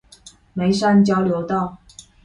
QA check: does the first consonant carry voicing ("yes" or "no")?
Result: yes